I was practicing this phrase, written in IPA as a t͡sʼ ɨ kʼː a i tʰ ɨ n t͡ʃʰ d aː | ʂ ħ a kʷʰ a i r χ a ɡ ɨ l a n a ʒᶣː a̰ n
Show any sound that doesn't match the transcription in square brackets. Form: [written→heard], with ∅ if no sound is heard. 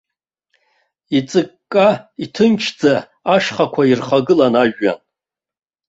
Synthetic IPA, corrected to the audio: [a→i] t͡sʼ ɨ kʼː a i tʰ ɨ n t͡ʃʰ [d→d͡z] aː | ʂ [ħ→χ] a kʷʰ a i r χ a ɡ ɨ l a n a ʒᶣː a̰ n